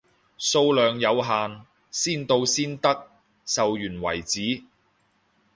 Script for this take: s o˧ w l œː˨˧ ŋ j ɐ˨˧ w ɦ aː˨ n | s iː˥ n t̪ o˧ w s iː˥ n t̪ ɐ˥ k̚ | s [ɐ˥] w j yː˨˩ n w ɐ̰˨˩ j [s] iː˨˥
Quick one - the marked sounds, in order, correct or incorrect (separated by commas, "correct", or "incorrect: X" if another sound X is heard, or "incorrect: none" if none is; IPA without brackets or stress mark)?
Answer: incorrect: ɐ˨, incorrect: t͡s